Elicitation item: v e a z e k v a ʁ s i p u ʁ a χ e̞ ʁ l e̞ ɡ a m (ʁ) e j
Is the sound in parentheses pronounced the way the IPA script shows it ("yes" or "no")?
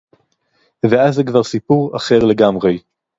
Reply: yes